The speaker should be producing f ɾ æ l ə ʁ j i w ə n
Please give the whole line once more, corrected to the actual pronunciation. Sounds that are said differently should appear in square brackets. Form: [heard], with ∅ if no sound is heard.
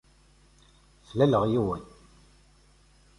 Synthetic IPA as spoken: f [l] æ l ə ʁ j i w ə n